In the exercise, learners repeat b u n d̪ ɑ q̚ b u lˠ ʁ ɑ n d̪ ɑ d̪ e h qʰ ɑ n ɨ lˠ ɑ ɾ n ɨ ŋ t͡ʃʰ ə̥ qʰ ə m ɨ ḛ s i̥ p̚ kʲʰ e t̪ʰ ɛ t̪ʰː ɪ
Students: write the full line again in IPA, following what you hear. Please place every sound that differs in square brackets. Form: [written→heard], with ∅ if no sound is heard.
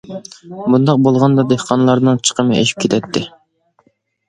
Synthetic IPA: b u n d̪ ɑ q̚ b [u→o] lˠ ʁ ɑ n d̪ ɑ d̪ e h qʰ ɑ n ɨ lˠ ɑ ɾ n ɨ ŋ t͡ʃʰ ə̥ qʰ ə m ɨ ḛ [s→ʃ] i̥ p̚ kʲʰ e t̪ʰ ɛ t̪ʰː ɪ